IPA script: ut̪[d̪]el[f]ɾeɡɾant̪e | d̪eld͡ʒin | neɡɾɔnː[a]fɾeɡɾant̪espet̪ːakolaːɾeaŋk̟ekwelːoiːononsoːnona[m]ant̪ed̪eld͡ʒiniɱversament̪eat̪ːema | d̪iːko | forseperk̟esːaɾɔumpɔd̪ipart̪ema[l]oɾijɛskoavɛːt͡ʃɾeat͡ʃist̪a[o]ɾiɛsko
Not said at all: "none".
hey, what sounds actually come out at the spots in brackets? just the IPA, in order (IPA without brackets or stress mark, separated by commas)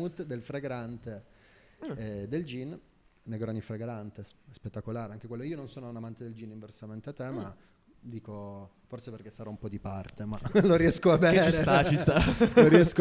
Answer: d̪, f, i, m, l, o